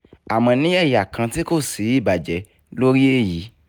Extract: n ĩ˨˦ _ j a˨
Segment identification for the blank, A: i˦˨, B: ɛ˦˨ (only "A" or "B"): B